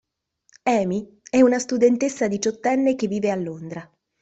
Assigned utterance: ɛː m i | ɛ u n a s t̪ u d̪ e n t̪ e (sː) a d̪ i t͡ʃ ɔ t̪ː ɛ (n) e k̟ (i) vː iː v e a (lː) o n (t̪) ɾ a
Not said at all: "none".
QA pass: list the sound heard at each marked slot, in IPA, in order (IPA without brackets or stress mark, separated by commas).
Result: sː, nː, e, lː, d̪